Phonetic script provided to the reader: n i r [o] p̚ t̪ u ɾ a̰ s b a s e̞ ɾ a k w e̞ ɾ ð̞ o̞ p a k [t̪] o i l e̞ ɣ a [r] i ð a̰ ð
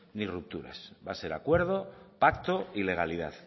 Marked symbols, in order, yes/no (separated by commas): no, yes, no